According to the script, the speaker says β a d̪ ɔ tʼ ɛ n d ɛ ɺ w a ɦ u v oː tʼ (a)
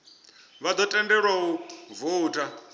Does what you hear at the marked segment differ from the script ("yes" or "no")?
no